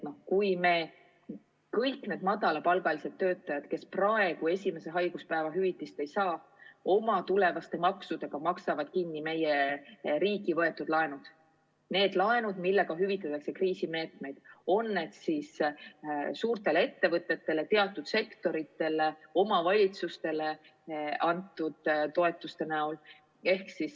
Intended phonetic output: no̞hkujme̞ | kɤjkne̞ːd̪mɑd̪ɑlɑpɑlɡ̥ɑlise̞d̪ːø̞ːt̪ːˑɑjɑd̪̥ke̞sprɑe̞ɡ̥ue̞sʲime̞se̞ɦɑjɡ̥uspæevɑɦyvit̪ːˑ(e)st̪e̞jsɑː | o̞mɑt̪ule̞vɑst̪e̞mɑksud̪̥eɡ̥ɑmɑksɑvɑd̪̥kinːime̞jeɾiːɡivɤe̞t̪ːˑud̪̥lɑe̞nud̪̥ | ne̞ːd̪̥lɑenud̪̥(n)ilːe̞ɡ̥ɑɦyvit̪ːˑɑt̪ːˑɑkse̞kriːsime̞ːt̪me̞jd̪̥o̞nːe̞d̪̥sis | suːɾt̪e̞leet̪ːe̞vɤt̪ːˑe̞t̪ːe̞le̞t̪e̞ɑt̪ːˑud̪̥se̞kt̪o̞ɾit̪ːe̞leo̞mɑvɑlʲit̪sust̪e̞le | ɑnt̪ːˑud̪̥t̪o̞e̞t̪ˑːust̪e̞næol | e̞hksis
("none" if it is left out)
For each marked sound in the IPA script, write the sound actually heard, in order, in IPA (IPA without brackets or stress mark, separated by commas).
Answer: i, m